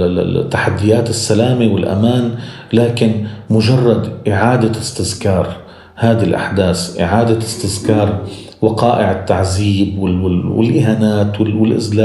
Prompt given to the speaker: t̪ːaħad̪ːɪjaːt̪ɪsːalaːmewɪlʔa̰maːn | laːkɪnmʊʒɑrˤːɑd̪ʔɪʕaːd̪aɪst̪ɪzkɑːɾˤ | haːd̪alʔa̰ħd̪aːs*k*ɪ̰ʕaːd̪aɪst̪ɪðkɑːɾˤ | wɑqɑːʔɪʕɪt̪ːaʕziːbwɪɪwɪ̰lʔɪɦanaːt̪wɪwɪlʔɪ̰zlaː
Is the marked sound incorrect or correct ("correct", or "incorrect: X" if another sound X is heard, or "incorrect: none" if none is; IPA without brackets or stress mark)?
incorrect: ʔ